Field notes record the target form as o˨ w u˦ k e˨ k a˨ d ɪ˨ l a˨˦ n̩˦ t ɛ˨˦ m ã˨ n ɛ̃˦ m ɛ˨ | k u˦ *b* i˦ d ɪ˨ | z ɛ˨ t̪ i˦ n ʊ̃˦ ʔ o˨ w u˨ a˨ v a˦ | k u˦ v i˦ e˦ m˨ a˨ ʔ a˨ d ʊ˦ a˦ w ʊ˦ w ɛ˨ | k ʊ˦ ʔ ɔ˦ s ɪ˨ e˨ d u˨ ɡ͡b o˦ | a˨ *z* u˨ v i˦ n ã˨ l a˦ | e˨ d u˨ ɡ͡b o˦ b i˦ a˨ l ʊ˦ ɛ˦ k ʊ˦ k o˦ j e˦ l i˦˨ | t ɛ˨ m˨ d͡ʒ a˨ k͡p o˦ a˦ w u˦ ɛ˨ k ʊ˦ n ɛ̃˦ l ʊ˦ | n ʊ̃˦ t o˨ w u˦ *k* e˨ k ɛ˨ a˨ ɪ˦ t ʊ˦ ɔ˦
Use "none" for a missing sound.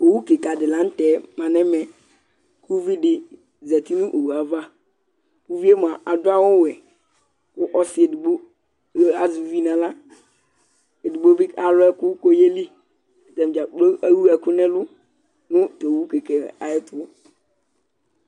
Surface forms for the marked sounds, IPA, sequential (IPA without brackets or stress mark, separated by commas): v, z, k